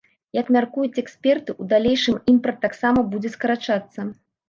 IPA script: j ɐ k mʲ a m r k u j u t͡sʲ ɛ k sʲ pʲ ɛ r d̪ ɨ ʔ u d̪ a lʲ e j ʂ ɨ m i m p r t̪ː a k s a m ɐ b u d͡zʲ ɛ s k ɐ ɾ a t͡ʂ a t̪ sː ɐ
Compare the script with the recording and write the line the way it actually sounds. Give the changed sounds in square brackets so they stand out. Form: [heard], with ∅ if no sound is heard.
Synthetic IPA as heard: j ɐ k mʲ a [∅] r k u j u t͡sʲ ɛ k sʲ pʲ ɛ r [t̪] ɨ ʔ u d̪ a lʲ e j ʂ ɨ m i m p r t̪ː a k s a m ɐ b u d͡zʲ ɛ s k ɐ ɾ a t͡ʂ a t̪ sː ɐ